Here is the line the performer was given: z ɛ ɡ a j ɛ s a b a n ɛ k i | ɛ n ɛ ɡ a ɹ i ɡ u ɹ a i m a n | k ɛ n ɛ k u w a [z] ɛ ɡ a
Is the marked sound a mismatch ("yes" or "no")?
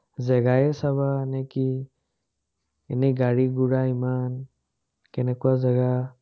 no